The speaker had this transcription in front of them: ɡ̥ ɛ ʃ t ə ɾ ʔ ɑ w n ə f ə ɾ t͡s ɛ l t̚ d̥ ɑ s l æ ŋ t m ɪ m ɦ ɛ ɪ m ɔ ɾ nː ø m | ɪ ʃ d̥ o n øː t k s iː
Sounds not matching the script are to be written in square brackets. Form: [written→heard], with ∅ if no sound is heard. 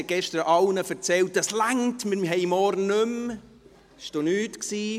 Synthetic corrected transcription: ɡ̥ ɛ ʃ t ə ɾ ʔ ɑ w n ə f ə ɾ t͡s ɛ l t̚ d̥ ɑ s l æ ŋ t m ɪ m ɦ ɛ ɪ m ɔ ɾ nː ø m | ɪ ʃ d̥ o n [øː→yː] t k s iː